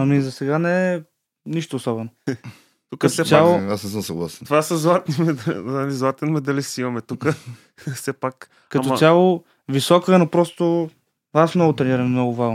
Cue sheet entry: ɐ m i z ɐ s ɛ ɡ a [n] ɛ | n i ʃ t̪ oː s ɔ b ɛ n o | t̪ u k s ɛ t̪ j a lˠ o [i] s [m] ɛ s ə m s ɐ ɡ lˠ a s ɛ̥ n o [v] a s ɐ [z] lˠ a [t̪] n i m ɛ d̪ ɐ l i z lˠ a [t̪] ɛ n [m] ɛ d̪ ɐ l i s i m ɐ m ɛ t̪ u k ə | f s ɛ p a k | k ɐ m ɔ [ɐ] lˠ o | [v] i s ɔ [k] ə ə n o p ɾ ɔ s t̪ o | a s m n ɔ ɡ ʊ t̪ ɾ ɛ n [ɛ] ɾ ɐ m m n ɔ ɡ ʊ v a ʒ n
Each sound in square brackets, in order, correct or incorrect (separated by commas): correct, incorrect, incorrect, correct, correct, correct, correct, correct, incorrect, correct, correct, incorrect